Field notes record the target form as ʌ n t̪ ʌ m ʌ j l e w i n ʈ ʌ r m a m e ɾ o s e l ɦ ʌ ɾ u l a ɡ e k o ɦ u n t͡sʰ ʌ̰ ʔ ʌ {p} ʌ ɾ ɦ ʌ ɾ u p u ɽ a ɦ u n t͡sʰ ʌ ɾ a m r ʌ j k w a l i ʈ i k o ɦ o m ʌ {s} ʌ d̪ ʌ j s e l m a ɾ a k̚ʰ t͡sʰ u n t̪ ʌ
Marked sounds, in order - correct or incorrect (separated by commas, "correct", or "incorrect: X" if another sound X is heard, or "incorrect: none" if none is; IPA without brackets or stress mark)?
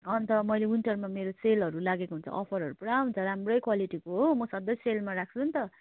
incorrect: pʰ, correct